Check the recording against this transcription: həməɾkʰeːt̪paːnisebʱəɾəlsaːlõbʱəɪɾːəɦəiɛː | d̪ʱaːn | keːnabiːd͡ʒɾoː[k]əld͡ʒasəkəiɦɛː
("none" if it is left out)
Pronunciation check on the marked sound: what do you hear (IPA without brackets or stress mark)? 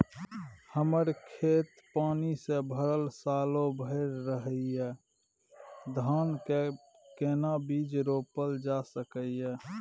p